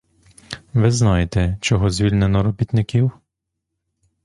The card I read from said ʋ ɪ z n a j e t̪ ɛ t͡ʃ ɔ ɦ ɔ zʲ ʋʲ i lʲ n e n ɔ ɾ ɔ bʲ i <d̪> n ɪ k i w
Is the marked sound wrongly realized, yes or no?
yes